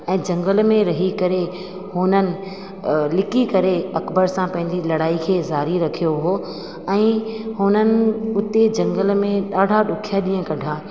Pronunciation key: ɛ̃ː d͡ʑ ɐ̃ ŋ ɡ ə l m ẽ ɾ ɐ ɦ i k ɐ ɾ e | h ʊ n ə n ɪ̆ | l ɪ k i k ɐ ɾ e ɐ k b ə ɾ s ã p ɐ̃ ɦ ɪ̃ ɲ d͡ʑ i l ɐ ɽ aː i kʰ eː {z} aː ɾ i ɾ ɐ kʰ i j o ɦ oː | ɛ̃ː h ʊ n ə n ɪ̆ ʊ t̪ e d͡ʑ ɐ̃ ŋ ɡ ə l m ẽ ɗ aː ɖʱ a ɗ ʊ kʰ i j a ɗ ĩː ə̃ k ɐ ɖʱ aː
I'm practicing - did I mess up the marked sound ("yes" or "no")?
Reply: no